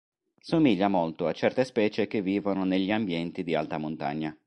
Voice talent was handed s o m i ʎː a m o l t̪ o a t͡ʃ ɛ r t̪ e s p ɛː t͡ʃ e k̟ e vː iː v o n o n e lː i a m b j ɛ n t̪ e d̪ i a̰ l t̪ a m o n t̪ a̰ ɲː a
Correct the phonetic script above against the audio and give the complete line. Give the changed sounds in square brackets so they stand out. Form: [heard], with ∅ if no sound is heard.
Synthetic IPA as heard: s o m i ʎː a m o l t̪ o a t͡ʃ ɛ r t̪ e s p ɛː t͡ʃ e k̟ e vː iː v o n o n e [ʎː] i a m b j ɛ n t̪ [i] d̪ i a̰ l t̪ a m o n t̪ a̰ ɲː a